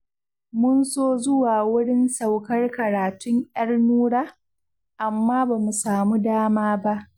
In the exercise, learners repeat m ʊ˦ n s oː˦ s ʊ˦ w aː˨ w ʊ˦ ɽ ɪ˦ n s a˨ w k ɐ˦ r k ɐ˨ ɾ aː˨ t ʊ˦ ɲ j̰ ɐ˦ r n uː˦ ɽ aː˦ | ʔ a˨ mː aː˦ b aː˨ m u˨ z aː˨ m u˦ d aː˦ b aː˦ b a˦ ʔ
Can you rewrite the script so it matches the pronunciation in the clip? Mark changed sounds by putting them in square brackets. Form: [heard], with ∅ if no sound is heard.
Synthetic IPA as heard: m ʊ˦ n s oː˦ [z] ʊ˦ w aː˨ w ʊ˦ ɽ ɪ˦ n s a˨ w k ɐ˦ r k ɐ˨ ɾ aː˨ t ʊ˦ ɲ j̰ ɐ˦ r n uː˦ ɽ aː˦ | ʔ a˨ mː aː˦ b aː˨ m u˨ [s] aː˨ m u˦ d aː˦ [m] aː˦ b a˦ ʔ